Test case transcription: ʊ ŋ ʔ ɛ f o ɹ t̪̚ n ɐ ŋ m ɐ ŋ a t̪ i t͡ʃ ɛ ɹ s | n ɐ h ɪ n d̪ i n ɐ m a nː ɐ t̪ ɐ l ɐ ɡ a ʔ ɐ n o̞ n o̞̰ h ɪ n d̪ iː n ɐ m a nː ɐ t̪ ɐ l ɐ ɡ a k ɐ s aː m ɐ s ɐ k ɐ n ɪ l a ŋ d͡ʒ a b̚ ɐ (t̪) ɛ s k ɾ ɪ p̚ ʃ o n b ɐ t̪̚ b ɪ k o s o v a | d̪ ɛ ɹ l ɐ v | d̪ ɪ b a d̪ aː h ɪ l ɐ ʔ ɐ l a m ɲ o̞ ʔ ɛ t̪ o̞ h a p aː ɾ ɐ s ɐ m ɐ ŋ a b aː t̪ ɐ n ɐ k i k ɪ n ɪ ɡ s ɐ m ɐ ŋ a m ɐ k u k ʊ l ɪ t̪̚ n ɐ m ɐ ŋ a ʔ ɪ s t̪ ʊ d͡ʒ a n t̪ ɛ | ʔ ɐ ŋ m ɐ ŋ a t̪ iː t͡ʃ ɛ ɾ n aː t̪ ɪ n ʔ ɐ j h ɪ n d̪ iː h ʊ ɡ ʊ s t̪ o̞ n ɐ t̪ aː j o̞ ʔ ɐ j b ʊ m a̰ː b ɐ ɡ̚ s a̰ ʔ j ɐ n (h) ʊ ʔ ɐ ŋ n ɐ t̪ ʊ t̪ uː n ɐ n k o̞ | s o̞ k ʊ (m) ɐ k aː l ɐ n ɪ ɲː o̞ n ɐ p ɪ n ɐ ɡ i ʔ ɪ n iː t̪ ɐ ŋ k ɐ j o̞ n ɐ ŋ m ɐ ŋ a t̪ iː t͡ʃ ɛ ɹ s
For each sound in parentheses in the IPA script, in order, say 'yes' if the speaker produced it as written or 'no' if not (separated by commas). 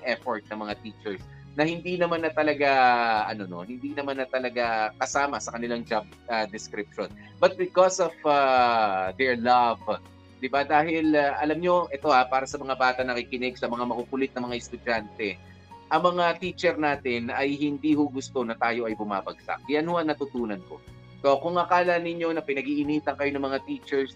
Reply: no, yes, no